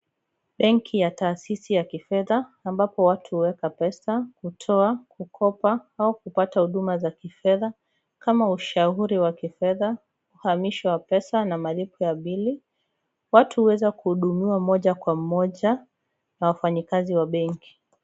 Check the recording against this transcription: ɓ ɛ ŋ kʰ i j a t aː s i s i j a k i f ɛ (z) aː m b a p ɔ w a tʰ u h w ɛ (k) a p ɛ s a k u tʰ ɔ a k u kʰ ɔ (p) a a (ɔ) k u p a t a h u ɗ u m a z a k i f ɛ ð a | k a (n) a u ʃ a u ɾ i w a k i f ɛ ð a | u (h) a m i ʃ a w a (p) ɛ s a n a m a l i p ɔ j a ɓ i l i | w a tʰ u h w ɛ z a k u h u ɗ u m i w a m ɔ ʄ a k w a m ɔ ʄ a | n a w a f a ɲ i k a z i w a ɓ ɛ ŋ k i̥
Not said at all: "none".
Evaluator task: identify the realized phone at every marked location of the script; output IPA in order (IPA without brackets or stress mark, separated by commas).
ð, k, p, u, m, h, p